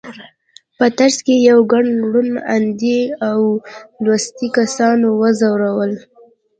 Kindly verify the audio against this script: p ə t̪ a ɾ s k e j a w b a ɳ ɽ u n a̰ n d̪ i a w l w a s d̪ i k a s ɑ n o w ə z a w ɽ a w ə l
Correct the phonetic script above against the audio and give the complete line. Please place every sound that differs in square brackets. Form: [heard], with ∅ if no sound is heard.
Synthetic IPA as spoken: p ə t̪ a ɾ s k e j a w [ɡ] a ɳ ɽ u n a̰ n d̪ i a w l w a s [t̪] i k a s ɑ n o w ə z a w [ɾ] a w ə l